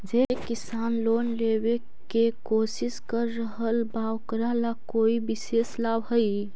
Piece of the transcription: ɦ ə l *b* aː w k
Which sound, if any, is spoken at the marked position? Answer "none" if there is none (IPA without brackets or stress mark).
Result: b